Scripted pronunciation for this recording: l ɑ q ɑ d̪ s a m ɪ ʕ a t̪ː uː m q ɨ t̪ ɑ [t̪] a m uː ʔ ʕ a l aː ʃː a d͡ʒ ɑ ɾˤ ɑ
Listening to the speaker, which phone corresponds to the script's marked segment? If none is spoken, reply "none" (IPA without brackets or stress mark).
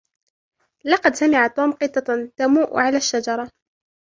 t̪